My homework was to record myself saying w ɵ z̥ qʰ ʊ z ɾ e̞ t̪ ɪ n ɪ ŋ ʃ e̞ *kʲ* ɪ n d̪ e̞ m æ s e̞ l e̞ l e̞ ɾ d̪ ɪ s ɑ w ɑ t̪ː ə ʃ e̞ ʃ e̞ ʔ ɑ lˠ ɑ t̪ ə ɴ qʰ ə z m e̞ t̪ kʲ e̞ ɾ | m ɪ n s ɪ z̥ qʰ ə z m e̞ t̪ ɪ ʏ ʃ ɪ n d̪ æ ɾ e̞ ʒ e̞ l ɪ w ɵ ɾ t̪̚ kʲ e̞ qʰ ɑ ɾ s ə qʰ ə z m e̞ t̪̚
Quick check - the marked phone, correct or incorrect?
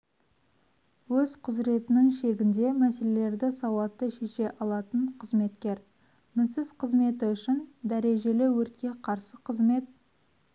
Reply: incorrect